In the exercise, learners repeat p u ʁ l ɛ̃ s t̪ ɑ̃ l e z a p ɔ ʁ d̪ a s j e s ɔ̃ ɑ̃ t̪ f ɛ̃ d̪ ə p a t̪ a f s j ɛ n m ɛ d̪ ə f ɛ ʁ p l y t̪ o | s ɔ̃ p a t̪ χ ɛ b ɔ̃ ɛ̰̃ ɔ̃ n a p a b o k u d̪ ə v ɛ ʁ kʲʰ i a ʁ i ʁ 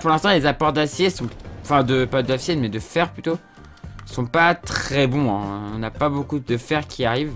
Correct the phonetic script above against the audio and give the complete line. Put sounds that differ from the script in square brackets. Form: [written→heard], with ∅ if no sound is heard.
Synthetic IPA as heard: p u ʁ l ɛ̃ s t̪ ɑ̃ l e z a p ɔ ʁ d̪ a s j e s ɔ̃ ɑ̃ [t̪→∅] f ɛ̃ d̪ ə p a [t̪→d̪] a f s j ɛ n m ɛ d̪ ə f ɛ ʁ p l y t̪ o | s ɔ̃ p a t̪ χ ɛ b ɔ̃ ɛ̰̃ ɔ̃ n a p a b o k u d̪ ə [v→f] ɛ ʁ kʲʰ i a ʁ i [ʁ→v]